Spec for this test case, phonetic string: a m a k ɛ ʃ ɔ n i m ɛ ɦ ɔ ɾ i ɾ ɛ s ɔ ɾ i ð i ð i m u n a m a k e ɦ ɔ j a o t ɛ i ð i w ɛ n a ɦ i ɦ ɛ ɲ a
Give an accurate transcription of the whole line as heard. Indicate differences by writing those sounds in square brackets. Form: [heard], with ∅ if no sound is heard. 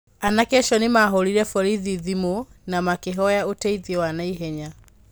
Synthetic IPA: a [n] a k ɛ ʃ ɔ n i m [a] ɦ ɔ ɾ i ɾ ɛ [f] ɔ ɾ i ð i ð i m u n a m a k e ɦ ɔ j a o t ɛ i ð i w [a] n a [∅] i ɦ ɛ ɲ a